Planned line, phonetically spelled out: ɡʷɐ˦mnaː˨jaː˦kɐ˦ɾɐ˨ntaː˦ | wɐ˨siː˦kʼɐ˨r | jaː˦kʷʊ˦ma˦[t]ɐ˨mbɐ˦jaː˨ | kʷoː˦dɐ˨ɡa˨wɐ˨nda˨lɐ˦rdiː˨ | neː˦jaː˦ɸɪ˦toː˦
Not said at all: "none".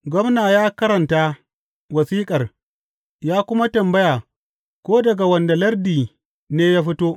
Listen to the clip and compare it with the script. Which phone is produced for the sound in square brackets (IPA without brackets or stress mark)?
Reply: t